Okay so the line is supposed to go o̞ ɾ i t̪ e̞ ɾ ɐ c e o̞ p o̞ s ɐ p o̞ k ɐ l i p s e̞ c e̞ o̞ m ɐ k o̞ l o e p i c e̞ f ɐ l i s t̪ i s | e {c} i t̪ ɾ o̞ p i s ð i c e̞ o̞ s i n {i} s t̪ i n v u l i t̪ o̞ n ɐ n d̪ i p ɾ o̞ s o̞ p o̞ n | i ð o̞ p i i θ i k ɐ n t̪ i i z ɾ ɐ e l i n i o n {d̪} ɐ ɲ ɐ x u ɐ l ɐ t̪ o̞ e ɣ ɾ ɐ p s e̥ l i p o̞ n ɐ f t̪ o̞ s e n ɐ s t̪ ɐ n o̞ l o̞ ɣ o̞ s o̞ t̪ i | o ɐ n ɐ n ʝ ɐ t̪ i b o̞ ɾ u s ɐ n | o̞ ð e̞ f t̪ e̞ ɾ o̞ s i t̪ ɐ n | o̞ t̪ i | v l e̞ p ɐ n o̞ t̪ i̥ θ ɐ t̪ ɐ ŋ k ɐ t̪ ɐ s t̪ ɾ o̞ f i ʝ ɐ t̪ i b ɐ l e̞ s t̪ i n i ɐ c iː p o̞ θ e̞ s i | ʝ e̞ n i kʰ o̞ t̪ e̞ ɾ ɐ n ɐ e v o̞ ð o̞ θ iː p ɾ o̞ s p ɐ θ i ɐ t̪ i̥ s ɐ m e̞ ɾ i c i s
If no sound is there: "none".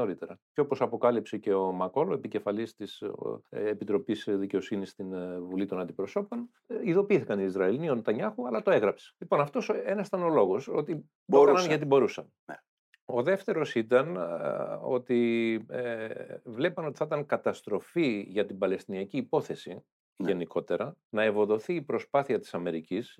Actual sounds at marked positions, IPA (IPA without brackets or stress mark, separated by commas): p, i, t̪